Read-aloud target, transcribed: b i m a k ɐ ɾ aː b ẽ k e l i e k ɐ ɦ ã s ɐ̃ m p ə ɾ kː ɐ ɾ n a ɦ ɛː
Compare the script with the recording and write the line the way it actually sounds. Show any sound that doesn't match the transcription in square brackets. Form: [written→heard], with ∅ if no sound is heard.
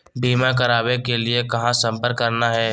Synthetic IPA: b [i→iː] m a k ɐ ɾ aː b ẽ k e l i e k ɐ ɦ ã s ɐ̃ m p ə ɾ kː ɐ ɾ n a ɦ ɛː